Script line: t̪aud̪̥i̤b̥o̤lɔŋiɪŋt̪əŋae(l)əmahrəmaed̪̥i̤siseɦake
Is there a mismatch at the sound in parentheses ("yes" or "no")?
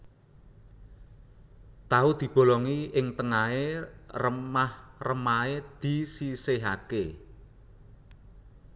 yes